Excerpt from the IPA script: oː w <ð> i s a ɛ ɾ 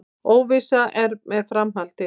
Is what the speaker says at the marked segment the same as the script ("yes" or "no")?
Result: no